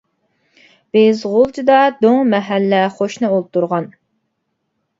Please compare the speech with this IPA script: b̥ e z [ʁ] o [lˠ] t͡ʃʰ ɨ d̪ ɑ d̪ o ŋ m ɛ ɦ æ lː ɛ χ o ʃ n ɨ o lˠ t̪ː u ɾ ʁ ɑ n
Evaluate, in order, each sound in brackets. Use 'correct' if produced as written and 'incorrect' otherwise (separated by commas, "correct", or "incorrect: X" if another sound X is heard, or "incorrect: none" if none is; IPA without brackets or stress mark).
correct, correct